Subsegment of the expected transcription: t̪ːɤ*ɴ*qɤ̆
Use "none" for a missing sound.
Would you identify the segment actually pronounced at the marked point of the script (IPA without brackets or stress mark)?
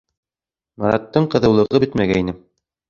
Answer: ɴ